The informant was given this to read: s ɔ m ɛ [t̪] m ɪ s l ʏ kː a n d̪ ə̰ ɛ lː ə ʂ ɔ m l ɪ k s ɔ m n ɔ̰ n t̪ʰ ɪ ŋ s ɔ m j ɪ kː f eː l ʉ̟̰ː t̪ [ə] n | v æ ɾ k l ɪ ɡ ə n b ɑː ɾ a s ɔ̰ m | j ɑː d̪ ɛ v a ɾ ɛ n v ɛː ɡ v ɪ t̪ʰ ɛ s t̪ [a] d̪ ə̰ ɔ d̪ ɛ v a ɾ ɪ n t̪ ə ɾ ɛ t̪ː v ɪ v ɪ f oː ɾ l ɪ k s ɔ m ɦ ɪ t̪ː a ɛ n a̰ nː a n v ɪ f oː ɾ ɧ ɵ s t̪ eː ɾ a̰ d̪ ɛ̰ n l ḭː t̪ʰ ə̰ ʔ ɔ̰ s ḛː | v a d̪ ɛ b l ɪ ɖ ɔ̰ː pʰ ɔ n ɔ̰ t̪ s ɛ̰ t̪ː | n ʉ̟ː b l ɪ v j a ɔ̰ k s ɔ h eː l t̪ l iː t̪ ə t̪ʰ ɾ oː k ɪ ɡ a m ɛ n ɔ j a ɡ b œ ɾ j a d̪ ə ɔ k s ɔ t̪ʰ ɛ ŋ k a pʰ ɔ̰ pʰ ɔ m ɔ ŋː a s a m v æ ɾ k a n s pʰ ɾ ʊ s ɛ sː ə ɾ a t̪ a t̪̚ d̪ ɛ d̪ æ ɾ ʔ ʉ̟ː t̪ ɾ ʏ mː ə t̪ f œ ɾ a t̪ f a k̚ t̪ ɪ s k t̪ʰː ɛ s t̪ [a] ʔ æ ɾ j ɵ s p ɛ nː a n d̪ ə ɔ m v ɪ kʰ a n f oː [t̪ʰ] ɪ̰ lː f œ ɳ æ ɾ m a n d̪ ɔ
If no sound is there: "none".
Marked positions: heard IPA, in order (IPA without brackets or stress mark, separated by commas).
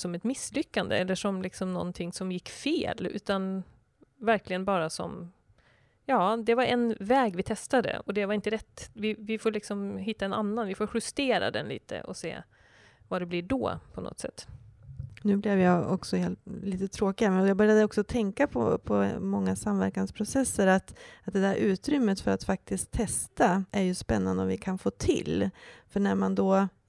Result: t̪, a, a, a, t̪ʰ